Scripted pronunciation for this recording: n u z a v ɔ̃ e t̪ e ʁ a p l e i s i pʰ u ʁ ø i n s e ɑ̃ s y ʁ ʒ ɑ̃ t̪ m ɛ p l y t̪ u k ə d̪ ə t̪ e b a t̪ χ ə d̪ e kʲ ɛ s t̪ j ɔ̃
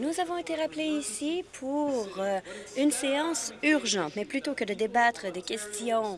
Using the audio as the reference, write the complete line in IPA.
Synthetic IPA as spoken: n u z a v ɔ̃ e t̪ e ʁ a p l e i s i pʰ u ʁ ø y n s e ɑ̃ s y ʁ ʒ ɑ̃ t̪ m ɛ p l y t̪ o k ə d̪ ə d̪ e b a t̪ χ ə d̪ e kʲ ɛ s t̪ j ɔ̃